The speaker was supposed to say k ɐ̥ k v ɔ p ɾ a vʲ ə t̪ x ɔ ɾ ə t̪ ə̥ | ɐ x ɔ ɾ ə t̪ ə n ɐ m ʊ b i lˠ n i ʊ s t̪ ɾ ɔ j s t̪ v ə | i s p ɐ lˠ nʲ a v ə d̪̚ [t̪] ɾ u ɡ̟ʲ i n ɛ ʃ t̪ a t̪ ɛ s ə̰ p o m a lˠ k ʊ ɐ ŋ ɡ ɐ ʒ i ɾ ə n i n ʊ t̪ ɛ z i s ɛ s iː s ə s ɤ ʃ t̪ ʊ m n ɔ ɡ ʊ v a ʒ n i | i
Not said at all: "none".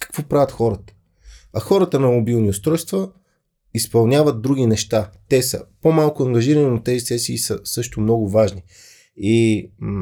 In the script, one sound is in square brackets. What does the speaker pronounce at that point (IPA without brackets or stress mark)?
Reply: d̪